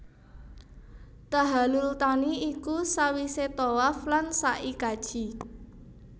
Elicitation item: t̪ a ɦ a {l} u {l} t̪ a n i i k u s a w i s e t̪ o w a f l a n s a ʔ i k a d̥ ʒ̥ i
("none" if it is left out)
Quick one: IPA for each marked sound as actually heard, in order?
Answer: l, l

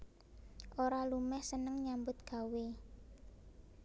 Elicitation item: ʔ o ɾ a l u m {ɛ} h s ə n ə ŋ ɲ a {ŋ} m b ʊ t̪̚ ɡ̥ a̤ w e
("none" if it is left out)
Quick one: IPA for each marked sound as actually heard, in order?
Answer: ɛ, none

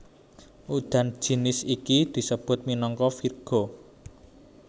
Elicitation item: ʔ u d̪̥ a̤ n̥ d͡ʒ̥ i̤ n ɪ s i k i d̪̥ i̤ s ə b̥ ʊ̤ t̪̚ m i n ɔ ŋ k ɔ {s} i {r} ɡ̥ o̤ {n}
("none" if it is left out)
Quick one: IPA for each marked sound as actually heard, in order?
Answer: f, r, none

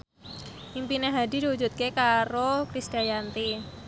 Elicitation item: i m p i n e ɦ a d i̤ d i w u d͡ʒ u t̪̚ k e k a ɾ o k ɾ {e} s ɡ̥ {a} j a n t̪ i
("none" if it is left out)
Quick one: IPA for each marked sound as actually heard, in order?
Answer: i, a

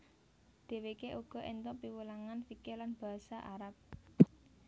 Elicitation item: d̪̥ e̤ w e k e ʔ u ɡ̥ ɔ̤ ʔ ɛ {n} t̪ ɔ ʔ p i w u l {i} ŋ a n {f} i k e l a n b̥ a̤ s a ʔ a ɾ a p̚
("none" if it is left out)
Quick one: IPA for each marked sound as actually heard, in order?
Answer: n, a, f

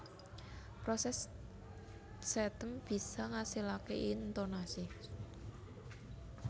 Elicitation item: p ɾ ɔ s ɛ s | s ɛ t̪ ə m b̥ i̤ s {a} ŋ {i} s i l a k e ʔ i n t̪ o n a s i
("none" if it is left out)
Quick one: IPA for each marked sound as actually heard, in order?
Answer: a, a

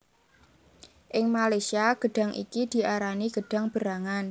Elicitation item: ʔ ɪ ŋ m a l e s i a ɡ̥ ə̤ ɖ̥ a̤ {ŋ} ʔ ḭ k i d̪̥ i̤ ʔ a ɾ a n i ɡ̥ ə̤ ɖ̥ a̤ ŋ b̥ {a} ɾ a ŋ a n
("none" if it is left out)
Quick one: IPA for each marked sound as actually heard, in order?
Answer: ŋ, ə

